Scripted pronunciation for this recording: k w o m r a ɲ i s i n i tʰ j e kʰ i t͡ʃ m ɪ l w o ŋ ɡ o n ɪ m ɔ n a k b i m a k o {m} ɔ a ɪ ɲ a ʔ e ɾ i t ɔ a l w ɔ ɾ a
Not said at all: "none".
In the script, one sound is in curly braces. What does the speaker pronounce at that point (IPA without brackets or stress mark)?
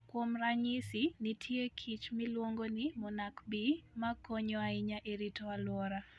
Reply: ɲ